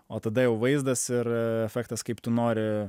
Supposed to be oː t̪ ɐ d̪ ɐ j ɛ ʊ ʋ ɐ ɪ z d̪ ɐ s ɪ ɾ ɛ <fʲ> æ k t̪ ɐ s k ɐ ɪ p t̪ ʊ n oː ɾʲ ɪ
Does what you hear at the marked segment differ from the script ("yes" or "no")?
no